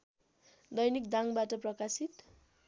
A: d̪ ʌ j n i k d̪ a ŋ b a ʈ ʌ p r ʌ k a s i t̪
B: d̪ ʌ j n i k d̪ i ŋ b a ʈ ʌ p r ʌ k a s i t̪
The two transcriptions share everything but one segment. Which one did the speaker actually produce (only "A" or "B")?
A